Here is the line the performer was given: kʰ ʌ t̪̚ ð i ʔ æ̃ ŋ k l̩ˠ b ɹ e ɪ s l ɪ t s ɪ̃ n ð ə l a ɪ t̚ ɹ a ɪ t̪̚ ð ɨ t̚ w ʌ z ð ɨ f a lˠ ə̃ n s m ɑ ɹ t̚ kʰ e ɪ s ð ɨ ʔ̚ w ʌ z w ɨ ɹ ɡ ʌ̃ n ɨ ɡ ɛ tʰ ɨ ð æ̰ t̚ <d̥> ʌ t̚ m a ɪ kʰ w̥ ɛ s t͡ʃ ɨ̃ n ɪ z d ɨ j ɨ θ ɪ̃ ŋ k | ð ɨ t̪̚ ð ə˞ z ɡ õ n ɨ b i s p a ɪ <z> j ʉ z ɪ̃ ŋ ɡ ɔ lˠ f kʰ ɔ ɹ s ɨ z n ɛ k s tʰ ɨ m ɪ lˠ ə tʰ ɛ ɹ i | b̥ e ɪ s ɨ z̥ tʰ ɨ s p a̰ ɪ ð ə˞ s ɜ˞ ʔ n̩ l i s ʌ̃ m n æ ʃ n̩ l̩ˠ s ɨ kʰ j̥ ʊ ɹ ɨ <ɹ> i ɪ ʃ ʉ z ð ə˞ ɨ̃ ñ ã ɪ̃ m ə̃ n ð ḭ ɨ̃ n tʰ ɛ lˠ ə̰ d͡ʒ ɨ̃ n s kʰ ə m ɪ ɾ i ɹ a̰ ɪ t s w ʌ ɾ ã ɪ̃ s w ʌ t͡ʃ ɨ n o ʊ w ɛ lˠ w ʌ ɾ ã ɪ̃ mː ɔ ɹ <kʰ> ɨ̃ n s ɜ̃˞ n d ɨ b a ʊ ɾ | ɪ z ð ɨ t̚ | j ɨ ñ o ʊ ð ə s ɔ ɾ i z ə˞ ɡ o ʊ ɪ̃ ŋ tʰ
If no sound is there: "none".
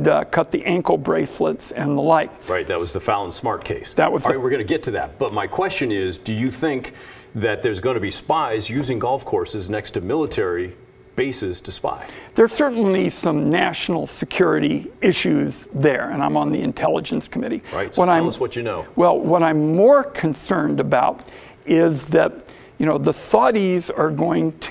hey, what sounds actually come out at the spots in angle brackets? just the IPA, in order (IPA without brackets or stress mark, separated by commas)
b̥, z, ɾ, kʰ